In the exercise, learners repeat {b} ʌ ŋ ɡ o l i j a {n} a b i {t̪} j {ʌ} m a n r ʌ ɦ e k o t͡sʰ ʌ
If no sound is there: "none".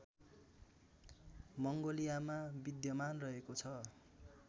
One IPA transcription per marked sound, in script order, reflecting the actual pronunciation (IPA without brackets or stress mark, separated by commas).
m, m, d̪, ʌ